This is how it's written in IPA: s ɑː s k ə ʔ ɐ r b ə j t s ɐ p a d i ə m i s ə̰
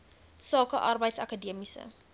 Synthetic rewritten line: s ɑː k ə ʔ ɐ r b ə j t s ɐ k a d i ə m i s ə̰